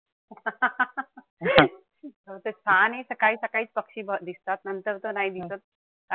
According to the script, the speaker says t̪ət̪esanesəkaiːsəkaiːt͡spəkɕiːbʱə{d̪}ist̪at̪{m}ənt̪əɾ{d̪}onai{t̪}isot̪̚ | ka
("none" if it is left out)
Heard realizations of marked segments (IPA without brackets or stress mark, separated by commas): d̪, n, t̪, d̪